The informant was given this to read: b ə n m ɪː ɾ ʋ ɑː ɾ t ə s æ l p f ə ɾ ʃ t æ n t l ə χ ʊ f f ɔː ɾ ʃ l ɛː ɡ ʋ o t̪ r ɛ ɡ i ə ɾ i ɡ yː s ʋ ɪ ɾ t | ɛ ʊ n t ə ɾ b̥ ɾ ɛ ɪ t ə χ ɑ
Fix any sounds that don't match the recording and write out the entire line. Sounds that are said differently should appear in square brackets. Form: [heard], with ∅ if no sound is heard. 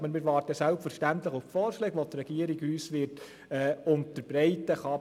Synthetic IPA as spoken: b ə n m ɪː ɾ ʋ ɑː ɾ t ə s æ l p f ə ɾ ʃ t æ n t l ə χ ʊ f f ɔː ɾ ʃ l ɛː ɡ ʋ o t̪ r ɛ ɡ i ə ɾ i ɡ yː s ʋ ɪ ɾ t | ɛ ʊ n t ə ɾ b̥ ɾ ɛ ɪ t ə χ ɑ